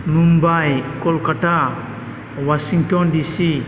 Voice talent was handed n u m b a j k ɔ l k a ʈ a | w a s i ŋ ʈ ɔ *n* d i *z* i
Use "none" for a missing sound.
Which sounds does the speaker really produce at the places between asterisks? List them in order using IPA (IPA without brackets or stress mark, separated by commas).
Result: n, s